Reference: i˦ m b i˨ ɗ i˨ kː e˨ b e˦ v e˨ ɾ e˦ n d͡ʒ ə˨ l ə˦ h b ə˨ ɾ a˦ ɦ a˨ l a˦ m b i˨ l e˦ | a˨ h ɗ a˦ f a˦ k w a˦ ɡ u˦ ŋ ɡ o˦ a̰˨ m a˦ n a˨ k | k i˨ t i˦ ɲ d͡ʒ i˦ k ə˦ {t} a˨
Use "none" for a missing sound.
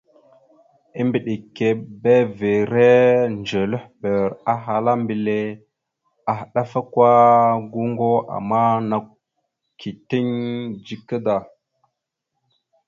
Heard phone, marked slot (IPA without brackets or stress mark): d